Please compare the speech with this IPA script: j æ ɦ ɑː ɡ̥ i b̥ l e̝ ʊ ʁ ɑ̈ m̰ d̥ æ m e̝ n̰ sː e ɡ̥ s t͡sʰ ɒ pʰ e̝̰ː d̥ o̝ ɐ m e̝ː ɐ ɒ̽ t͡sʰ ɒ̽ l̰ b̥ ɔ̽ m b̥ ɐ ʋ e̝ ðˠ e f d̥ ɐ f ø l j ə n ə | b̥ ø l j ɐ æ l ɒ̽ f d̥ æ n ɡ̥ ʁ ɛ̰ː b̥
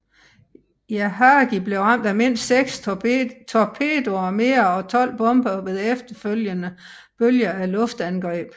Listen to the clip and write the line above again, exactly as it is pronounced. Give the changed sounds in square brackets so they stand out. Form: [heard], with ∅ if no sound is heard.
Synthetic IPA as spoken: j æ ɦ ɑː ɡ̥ i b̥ l e̝ ʊ ʁ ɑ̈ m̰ d̥ æ m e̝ n̰ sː e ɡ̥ s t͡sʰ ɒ pʰ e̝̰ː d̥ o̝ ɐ m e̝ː ɐ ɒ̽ t͡sʰ ɒ̽ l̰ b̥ ɔ̽ m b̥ ɐ ʋ e̝ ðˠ e f d̥ ɐ f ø l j ə n ə | b̥ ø l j ɐ æ l [ɔ̽] f d̥ æ n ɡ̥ ʁ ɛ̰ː b̥